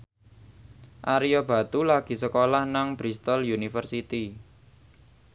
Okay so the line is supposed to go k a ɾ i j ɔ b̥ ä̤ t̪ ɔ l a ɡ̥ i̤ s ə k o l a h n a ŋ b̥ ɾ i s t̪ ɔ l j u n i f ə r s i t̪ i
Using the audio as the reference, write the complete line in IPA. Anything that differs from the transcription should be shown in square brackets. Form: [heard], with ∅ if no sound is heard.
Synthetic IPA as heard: [ʔ] a ɾ i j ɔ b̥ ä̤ t̪ [u] l a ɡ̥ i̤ s ə k o l a h n a ŋ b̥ ɾ i s t̪ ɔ l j u n i f ə r s i t̪ i